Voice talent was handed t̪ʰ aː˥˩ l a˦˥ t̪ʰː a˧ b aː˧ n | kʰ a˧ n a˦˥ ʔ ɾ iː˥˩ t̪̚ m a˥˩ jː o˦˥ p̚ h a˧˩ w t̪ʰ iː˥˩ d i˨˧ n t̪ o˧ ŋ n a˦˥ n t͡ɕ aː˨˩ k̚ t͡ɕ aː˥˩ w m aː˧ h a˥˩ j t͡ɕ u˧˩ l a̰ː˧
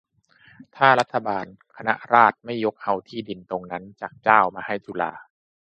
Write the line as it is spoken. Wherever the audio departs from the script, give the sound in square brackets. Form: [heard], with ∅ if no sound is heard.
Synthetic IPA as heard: t̪ʰ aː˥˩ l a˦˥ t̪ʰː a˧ b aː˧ n | kʰ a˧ n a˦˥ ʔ ɾ [aː˥˩] t̪̚ m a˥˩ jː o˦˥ [k̚] h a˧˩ w t̪ʰ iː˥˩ d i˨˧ n t̪ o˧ ŋ n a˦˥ n t͡ɕ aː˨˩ k̚ t͡ɕ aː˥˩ w m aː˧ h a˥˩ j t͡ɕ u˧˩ l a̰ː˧